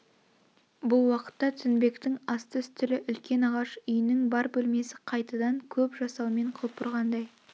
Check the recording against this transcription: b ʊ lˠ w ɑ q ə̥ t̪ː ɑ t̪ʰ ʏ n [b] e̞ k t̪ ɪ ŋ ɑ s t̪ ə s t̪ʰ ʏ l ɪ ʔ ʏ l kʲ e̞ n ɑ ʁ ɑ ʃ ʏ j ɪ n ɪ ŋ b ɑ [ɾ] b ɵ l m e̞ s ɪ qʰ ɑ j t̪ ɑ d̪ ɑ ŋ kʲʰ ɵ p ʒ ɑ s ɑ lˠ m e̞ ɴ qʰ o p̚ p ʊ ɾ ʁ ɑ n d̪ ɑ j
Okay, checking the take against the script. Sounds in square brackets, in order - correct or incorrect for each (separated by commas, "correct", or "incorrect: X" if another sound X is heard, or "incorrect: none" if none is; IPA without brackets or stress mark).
correct, correct